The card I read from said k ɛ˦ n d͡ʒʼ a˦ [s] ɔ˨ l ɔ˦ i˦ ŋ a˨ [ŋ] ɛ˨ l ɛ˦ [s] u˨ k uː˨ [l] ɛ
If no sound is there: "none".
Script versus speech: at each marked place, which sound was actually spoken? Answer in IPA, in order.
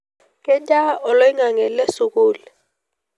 none, ŋ, s, l

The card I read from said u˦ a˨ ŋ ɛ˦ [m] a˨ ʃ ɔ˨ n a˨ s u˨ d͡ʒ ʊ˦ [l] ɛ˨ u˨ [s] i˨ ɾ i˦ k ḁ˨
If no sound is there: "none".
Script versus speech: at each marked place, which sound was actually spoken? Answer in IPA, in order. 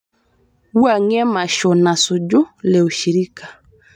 m, l, ʃ

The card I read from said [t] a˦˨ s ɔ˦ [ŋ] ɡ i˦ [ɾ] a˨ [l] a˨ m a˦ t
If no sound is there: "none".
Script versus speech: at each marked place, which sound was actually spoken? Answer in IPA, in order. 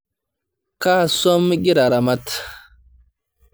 k, m, ɾ, ɾ

